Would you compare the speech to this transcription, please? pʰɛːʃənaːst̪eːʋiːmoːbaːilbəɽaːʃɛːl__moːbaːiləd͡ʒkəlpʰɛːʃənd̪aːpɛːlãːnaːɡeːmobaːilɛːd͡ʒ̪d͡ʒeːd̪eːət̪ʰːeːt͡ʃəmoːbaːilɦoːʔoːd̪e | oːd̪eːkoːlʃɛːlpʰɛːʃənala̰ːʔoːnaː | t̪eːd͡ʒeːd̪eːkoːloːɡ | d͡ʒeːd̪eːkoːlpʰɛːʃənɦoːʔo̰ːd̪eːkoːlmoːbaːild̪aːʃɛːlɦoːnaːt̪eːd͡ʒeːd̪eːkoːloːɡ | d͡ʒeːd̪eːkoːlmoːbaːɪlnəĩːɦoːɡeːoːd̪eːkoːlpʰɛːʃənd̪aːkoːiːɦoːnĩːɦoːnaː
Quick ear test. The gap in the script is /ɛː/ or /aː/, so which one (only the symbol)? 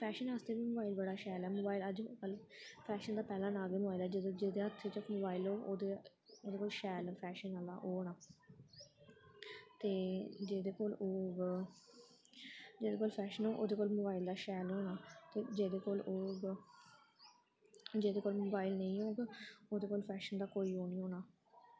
ɛː